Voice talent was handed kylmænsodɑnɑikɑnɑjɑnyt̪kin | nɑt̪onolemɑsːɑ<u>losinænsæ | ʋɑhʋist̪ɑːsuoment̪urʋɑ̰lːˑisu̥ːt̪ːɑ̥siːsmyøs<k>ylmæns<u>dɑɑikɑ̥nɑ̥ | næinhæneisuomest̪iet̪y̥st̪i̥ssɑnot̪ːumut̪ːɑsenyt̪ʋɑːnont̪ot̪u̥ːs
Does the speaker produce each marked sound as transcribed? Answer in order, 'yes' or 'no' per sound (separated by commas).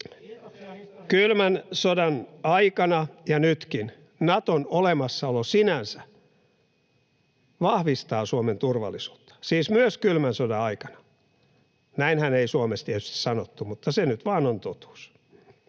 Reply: no, yes, no